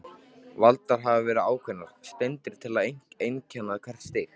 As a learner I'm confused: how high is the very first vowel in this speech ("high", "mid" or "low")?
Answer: low